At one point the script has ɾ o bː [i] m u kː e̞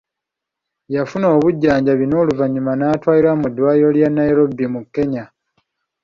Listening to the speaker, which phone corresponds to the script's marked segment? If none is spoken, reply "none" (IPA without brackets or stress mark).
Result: i